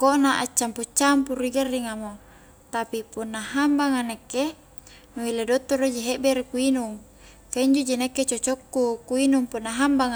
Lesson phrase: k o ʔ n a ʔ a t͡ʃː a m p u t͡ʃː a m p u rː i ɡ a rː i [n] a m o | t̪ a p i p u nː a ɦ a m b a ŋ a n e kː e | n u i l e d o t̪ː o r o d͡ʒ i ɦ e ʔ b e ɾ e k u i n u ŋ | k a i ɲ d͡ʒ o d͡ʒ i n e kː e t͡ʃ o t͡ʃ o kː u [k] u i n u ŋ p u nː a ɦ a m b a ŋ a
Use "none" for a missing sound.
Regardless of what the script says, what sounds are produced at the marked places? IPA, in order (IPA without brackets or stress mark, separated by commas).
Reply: ŋ, k